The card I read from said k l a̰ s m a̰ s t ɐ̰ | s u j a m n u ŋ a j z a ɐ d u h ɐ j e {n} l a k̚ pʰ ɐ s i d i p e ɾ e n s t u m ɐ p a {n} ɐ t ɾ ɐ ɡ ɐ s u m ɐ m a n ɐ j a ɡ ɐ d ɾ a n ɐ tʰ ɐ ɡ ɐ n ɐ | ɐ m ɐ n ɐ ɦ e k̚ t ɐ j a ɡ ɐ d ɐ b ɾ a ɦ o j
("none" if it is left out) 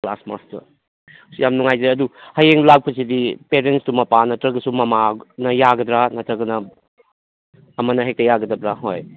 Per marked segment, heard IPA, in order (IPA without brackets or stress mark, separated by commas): ŋ, n